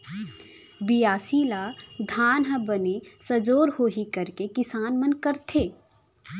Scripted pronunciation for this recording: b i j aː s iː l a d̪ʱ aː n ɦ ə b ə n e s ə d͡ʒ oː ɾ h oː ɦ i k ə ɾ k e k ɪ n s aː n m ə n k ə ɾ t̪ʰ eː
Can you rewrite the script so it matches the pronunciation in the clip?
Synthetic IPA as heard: b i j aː s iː l a d̪ʱ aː n ɦ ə b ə n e s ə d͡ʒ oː ɾ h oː ɦ i k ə ɾ k e k ɪ s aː n m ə n k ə ɾ t̪ʰ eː